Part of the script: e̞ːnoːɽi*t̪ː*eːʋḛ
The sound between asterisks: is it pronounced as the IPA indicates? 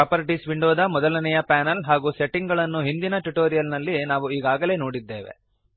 no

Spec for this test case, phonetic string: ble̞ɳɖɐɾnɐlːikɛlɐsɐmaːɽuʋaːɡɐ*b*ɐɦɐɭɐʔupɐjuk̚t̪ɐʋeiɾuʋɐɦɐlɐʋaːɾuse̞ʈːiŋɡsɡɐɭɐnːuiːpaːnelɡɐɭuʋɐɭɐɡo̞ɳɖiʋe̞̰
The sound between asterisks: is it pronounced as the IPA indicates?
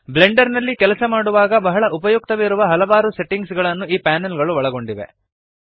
yes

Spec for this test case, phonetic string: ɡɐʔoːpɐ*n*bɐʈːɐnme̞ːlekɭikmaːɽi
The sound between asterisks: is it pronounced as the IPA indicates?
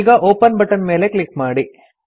yes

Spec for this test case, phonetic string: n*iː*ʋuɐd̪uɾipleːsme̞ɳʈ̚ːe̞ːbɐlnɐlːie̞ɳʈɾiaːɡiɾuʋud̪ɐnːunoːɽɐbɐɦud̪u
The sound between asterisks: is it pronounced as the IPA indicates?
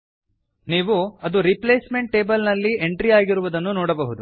yes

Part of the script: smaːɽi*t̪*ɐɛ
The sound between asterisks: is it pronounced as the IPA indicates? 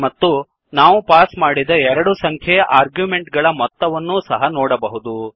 no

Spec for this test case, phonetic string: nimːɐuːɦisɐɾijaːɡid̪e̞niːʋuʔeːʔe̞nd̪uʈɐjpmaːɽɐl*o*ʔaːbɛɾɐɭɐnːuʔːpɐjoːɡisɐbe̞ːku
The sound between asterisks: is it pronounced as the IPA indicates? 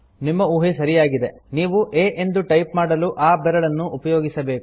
no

